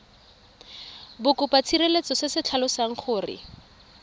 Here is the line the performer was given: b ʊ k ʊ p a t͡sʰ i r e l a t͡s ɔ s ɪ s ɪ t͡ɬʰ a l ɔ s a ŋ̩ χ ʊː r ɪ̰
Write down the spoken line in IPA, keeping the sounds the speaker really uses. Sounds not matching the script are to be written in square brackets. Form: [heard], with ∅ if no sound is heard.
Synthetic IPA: b ʊ k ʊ p a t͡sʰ i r e l [e] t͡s ɔ s ɪ s ɪ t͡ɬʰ a l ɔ s a ŋ̩ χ ʊː r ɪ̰